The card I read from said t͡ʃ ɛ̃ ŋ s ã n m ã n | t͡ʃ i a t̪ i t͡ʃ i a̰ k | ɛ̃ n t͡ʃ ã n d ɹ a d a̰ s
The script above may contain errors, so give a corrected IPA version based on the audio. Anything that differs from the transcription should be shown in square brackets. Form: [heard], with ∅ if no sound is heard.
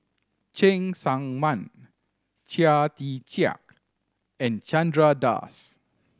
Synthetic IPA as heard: t͡ʃ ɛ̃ ŋ s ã [ŋ] m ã n | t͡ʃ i a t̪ i t͡ʃ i a̰ k | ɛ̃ n t͡ʃ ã n d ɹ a d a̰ s